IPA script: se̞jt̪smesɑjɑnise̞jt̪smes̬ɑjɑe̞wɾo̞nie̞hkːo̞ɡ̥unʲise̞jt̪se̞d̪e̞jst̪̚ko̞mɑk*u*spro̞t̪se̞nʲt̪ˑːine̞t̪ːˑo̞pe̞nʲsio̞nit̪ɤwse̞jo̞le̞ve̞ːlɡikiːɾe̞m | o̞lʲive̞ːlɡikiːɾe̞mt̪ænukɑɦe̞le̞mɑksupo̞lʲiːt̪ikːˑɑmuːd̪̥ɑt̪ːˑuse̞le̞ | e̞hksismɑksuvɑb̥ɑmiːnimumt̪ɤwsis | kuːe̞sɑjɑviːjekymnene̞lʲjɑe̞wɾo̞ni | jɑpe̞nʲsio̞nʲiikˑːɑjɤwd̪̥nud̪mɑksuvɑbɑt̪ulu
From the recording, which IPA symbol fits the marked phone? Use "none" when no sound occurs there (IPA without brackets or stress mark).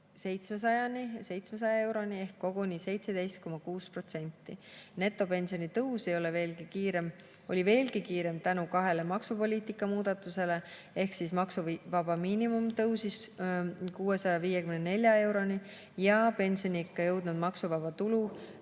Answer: uː